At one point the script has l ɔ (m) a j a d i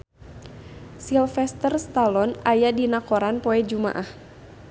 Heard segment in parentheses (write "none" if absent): n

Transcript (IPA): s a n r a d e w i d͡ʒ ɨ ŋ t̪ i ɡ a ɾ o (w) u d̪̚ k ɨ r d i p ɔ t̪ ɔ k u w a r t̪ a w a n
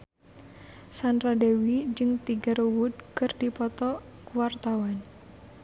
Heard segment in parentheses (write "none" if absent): w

